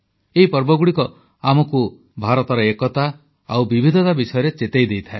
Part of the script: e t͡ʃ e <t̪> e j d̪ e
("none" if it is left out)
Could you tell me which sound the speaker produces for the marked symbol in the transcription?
t̪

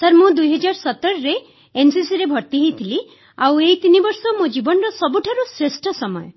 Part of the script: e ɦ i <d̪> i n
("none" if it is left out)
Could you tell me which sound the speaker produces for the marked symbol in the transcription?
t̪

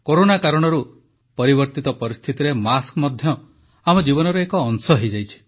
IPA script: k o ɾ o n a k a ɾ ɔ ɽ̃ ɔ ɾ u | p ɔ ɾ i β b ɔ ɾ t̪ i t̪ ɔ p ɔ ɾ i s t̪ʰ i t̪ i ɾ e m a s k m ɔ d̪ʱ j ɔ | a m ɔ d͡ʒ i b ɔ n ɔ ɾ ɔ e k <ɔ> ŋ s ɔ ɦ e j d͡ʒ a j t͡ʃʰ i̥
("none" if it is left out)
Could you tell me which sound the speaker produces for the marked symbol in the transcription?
ɔː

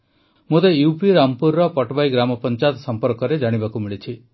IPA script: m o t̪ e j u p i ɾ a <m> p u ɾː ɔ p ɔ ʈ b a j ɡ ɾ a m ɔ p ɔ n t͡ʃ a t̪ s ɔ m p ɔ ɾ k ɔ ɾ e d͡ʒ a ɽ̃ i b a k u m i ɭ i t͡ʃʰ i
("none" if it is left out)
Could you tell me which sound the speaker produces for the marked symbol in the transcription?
m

